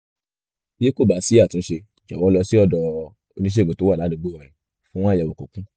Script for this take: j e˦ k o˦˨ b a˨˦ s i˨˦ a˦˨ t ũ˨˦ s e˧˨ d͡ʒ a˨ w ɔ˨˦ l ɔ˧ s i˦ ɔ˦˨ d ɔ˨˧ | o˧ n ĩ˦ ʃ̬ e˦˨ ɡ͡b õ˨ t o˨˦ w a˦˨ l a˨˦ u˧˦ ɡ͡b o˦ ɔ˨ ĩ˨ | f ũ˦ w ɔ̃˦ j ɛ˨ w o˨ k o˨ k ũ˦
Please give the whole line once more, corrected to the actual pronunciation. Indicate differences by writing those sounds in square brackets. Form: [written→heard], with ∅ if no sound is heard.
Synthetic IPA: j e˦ k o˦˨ b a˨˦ s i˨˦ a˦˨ t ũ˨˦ [s→ʃ] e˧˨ d͡ʒ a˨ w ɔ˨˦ l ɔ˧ s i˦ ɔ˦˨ d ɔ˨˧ | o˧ n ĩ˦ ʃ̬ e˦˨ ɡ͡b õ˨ t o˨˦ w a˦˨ l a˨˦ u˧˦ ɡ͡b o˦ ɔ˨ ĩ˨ | f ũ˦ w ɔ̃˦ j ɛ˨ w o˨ k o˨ k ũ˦